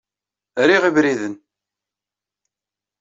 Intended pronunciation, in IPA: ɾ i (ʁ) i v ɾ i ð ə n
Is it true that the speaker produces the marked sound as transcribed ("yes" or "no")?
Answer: yes